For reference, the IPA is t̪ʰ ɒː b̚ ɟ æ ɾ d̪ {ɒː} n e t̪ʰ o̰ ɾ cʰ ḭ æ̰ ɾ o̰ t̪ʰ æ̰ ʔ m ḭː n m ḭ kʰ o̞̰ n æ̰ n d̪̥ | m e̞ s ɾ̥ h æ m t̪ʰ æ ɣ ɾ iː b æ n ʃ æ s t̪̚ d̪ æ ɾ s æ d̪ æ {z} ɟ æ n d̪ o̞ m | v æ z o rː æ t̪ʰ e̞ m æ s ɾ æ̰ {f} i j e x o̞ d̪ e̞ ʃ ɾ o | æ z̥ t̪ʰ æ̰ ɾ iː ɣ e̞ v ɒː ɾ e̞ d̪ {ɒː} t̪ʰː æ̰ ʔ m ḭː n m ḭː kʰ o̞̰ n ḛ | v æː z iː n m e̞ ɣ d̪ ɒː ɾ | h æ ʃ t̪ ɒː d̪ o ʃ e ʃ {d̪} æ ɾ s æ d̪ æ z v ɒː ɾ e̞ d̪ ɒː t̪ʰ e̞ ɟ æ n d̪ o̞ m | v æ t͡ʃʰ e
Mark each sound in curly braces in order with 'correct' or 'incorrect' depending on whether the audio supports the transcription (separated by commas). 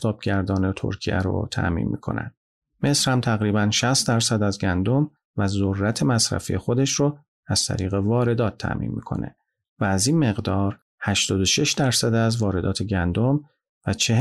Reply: correct, correct, correct, correct, correct